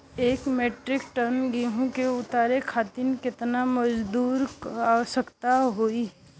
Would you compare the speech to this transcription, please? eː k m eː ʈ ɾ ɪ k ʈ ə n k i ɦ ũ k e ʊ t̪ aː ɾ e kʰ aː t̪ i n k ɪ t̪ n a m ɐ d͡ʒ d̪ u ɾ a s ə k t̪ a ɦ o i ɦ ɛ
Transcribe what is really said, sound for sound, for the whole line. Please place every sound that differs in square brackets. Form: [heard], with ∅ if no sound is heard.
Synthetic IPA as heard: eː k m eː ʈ ɾ ɪ k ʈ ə n [ɡ] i ɦ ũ k e ʊ t̪ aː ɾ e kʰ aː t̪ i n k ɪ t̪ n a m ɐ d͡ʒ d̪ [uː] ɾ a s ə k t̪ a ɦ o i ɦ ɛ